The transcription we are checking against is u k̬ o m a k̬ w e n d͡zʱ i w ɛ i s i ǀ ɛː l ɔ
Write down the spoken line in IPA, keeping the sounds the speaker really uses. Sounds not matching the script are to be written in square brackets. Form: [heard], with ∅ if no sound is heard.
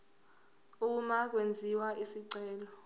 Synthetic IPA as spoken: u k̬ [u] m a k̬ w e n d͡zʱ i w [a] i s i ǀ ɛː l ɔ